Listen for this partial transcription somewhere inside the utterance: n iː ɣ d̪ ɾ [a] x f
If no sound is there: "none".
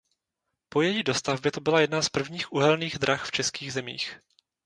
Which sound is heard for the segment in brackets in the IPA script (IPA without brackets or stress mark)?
a